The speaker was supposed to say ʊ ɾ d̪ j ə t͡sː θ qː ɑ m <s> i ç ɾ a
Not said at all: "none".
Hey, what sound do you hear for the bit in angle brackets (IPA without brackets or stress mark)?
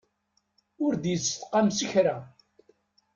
s